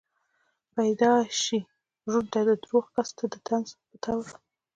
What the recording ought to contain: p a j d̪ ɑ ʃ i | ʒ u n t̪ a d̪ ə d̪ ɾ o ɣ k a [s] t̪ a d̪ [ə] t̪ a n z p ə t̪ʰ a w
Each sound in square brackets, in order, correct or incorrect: correct, correct

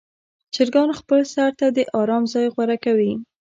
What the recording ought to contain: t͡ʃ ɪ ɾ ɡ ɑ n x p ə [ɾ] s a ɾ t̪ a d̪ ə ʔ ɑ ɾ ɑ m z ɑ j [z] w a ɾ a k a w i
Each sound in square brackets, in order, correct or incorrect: incorrect, incorrect

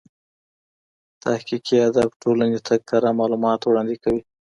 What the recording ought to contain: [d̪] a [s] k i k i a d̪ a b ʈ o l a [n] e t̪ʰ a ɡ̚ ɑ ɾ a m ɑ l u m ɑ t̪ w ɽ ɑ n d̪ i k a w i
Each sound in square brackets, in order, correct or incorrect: incorrect, incorrect, correct

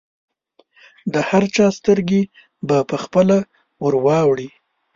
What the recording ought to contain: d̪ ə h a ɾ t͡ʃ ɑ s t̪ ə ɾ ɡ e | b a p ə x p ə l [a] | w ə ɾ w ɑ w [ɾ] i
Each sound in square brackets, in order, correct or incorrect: correct, incorrect

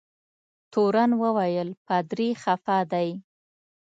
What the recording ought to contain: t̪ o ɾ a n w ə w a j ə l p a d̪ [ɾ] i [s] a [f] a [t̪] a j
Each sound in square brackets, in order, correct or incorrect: correct, incorrect, correct, incorrect

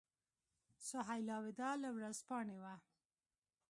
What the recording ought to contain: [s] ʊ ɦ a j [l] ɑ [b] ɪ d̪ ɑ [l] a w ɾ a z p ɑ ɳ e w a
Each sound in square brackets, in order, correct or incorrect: correct, correct, incorrect, correct

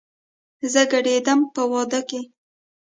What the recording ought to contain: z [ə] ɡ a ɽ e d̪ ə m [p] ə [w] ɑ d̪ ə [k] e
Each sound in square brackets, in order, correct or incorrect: correct, correct, correct, correct

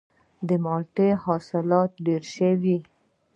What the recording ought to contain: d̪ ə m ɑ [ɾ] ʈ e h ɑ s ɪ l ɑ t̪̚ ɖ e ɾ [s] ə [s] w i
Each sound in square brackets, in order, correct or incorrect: incorrect, incorrect, incorrect

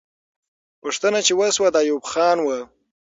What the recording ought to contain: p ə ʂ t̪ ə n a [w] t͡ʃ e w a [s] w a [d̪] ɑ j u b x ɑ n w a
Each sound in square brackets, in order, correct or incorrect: incorrect, correct, correct

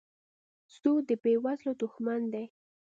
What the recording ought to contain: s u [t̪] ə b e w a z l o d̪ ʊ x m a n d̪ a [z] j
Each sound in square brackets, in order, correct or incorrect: incorrect, incorrect

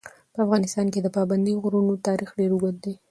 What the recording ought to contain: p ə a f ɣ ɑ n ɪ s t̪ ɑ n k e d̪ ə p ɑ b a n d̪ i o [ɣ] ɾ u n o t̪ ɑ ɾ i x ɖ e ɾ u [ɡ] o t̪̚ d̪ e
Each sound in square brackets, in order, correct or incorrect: correct, correct

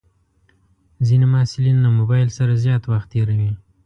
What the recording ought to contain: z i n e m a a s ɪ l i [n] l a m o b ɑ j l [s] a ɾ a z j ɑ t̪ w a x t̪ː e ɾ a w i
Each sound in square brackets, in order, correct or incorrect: correct, correct

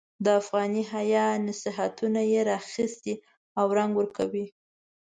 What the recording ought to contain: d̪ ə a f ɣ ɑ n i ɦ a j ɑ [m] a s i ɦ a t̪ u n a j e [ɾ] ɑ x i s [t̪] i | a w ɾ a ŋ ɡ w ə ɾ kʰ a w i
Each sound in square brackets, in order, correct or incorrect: incorrect, correct, correct

